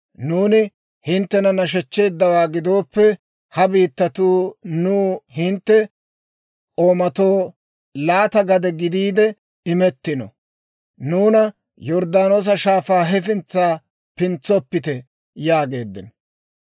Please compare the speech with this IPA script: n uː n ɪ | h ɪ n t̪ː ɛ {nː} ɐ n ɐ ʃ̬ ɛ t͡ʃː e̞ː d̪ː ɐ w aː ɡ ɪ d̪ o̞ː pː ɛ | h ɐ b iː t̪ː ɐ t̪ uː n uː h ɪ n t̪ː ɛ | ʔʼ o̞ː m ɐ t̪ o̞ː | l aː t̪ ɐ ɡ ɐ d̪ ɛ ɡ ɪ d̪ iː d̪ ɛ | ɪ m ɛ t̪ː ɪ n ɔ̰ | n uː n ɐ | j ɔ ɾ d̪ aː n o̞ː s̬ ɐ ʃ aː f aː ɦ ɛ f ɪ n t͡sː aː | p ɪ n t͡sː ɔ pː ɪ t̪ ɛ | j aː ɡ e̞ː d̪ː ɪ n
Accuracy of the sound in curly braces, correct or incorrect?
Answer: incorrect